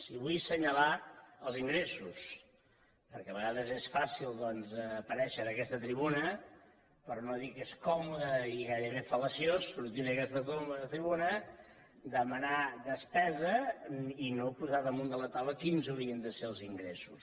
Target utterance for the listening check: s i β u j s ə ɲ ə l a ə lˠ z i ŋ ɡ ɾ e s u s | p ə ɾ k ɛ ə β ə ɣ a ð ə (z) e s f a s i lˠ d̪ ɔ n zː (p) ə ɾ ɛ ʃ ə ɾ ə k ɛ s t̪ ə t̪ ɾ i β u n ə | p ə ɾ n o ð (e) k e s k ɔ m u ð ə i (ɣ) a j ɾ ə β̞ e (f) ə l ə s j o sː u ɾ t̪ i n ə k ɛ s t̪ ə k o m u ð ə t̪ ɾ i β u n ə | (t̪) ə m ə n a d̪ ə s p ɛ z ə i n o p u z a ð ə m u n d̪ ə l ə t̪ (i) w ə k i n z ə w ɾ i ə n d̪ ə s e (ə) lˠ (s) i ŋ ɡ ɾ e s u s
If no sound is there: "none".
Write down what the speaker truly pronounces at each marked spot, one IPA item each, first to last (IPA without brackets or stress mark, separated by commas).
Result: z, p, i, ɣ, f, d̪, a, ə, z